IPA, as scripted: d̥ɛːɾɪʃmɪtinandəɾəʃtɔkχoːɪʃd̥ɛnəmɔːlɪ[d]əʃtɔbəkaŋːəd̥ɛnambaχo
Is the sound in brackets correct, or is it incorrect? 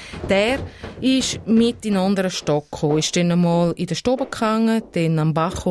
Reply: correct